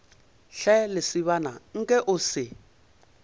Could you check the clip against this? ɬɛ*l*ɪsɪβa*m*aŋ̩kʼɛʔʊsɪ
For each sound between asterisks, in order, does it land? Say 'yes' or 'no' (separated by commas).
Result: yes, no